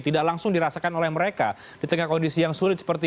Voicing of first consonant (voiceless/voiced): voiceless